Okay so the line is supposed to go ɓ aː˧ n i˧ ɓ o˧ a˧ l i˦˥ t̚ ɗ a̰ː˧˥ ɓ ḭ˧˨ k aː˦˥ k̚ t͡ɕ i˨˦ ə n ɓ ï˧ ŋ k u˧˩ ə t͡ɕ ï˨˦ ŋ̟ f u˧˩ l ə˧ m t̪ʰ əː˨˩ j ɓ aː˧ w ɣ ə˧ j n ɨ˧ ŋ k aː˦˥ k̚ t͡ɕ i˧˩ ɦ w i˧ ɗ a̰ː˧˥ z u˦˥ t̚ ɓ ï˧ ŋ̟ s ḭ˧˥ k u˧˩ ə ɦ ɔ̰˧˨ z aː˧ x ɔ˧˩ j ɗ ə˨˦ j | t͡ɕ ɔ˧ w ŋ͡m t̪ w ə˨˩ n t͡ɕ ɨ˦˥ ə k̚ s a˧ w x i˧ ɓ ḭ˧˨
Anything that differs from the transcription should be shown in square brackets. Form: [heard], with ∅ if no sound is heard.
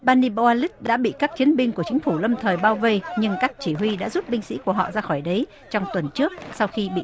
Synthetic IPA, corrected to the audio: ɓ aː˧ n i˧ ɓ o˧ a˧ l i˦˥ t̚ ɗ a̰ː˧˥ ɓ ḭ˧˨ k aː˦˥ k̚ t͡ɕ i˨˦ ə n ɓ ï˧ ŋ k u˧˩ ə t͡ɕ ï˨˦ ŋ̟ f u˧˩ l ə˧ m t̪ʰ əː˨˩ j ɓ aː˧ w [v] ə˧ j [ɲ] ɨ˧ ŋ k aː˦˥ k̚ t͡ɕ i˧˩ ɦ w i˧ ɗ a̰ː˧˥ z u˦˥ t̚ ɓ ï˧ ŋ̟ s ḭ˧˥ k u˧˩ ə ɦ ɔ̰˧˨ z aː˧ x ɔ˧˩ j ɗ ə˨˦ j | t͡ɕ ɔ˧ w ŋ͡m t̪ w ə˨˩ n t͡ɕ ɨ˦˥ ə k̚ s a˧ w x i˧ ɓ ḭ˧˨